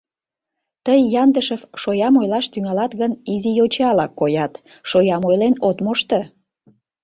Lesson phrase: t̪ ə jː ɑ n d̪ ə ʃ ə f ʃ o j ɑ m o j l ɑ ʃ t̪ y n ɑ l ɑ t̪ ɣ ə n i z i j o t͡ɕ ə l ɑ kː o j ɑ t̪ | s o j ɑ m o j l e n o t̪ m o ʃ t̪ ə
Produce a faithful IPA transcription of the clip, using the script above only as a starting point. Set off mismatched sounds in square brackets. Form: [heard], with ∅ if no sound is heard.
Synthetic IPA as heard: t̪ ə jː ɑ n d̪ ə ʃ ə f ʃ o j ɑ m o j l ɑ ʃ t̪ y [ŋ] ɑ l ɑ t̪ ɣ ə n i z i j o t͡ɕ [ɑ] l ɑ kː o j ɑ t̪ | [ʃ] o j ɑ m o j l e n o t̪ m o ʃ t̪ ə